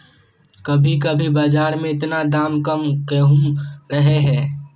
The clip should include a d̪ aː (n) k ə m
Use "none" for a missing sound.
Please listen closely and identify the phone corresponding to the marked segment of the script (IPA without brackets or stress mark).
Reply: m